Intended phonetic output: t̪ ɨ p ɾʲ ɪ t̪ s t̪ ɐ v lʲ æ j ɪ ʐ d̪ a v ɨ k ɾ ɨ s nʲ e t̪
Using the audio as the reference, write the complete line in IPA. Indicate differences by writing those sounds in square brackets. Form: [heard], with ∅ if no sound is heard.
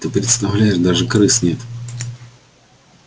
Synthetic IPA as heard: t̪ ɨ p ɾʲ ɪ t̪ s t̪ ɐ v lʲ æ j ɪ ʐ d̪ a [ʐ] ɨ k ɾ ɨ s nʲ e t̪